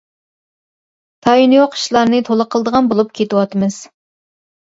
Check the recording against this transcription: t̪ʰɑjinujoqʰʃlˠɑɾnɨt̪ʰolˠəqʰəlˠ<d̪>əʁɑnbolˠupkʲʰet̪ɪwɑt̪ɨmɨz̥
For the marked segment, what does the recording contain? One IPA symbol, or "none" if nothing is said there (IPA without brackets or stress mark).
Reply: d̪